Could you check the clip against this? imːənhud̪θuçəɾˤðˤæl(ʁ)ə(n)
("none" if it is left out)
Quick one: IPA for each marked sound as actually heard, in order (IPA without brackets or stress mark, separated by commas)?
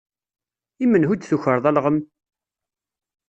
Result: ʁ, m